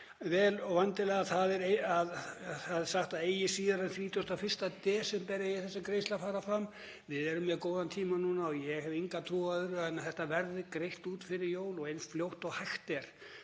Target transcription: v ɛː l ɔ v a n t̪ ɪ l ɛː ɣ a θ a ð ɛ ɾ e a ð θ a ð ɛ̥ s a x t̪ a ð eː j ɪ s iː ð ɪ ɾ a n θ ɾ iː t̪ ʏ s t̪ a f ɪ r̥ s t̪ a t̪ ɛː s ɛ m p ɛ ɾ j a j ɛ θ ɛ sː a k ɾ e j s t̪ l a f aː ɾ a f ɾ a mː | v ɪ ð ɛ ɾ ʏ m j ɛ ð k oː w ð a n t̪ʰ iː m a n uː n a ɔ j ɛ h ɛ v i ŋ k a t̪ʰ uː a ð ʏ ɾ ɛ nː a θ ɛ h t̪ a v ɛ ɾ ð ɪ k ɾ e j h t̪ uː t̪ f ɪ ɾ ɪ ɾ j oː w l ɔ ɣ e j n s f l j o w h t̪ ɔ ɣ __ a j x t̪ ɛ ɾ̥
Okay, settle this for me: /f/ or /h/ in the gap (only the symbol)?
h